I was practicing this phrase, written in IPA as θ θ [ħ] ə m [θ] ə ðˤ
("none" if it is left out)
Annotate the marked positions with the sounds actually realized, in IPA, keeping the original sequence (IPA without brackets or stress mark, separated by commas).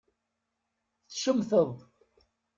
ʃ, θ